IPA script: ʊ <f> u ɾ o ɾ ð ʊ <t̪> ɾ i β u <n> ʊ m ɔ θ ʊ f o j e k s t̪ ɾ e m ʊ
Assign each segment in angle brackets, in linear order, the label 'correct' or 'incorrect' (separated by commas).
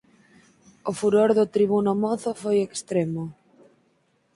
correct, correct, correct